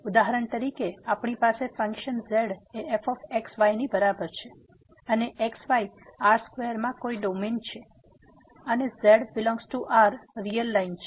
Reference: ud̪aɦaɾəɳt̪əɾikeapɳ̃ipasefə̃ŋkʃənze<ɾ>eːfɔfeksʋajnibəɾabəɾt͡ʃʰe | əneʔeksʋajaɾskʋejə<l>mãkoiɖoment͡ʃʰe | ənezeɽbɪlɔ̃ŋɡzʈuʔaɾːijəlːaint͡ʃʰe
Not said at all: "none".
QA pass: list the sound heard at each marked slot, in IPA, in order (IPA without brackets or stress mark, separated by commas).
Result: ɽ, ɾ